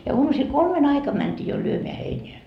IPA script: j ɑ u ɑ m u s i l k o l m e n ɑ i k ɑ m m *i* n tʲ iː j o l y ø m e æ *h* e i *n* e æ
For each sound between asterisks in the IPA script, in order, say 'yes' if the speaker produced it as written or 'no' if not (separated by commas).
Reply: no, yes, yes